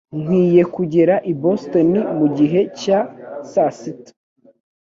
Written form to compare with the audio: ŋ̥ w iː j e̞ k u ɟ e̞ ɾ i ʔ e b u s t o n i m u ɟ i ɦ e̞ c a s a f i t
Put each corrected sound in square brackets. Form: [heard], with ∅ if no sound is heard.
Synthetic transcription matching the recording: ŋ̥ w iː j e̞ k u ɟ e̞ ɾ [a] ʔ [i] b [o] s t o n i m u ɟ i ɦ e̞ c a s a [s] i t